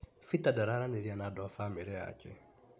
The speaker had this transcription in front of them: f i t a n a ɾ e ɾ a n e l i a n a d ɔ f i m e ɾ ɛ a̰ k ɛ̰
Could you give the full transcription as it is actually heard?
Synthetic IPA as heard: f i t a d a ɾ a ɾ a n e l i a n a d ɔ f a m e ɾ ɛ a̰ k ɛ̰